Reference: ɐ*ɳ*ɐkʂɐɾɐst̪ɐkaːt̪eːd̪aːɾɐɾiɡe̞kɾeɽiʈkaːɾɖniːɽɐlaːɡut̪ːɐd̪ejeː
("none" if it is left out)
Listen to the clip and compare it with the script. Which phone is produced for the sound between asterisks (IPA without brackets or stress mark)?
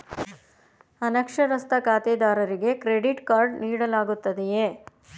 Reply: n